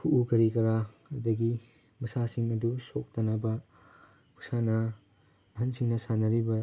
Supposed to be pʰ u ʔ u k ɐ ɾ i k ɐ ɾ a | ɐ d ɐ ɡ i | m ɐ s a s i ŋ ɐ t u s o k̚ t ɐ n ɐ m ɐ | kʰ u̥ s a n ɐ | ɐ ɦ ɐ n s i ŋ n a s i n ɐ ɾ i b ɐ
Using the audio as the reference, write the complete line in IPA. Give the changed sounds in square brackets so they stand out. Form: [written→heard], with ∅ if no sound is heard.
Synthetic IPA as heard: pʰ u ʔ u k ɐ ɾ i k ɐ ɾ a | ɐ d ɐ ɡ i | m ɐ s a s i ŋ ɐ [t→d] u s o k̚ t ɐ n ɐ [m→b] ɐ | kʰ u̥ s a n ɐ | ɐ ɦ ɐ n s i ŋ n [a→ɐ] s [i→a] n ɐ ɾ i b ɐ